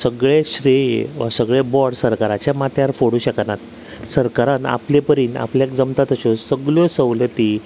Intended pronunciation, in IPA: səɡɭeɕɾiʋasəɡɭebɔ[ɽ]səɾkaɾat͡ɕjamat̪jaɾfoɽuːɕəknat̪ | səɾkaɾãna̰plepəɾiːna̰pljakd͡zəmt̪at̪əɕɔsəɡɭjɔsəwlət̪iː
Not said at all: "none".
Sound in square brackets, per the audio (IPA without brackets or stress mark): ɽ